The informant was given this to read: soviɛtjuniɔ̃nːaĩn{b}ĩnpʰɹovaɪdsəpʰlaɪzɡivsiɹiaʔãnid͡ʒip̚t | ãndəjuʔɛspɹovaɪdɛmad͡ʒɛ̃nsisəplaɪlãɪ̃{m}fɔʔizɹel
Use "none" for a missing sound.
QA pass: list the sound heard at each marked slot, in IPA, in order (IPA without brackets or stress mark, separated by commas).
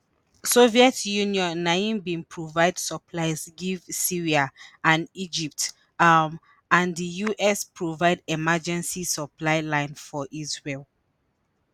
b, n